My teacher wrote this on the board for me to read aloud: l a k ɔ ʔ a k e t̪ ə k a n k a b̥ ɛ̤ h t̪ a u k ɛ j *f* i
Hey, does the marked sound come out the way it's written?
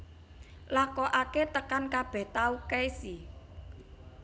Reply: no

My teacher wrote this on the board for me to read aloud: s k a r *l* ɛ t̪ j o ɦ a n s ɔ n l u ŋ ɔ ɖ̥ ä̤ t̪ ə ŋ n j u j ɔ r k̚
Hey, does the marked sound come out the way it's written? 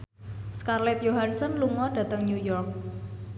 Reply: yes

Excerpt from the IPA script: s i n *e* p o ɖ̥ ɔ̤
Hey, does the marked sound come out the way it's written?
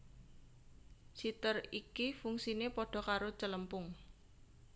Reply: yes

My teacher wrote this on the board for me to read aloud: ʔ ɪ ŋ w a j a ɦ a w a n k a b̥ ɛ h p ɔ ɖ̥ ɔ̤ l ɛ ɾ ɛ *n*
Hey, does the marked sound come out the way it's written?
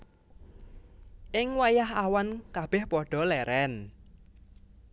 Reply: yes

